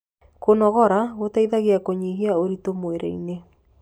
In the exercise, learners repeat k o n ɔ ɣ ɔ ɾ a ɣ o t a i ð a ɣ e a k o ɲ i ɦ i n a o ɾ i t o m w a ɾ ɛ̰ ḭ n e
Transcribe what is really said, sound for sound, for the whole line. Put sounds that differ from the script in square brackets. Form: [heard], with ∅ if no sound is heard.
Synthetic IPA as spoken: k o n ɔ ɣ ɔ ɾ a ɣ o t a i ð a ɣ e a k o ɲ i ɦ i [∅] a o ɾ i t o m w [e] ɾ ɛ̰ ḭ n e